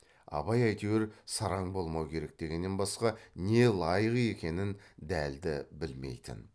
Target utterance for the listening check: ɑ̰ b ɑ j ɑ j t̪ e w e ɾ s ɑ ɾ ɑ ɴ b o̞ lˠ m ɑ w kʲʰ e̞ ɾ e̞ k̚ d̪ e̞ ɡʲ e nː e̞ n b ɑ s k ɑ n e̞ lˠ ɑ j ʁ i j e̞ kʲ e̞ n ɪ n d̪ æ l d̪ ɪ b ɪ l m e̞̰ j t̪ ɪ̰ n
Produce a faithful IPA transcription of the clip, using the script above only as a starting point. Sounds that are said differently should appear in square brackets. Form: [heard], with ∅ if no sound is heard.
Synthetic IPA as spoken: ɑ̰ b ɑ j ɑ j t̪ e w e ɾ s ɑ ɾ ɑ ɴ b o̞ lˠ m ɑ w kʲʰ e̞ ɾ e̞ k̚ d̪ e̞ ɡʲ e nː e̞ n b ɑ s [q] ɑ n e̞ lˠ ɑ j ʁ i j e̞ kʲ e̞ n ɪ n d̪ æ l d̪ ɪ b ɪ l m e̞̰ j t̪ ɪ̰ n